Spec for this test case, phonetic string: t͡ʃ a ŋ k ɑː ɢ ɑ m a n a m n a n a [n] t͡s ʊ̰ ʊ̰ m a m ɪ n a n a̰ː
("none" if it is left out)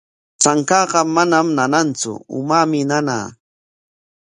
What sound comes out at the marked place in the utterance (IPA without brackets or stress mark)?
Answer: n